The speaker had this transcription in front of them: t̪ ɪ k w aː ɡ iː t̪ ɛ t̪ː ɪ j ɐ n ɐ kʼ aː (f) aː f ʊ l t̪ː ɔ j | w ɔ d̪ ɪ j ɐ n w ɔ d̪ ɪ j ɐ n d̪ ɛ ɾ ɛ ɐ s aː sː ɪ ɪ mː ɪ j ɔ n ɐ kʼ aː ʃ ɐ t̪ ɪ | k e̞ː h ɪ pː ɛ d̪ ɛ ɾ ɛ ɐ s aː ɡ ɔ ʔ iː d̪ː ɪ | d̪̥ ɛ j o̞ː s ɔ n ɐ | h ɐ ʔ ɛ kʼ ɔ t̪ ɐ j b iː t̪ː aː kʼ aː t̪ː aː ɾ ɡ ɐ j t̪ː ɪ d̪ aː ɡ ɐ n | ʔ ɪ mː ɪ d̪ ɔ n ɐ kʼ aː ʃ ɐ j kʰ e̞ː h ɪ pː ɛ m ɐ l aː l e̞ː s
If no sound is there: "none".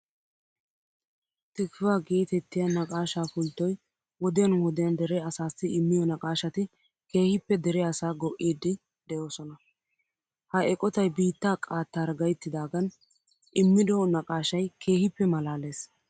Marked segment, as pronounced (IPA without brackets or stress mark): ʃ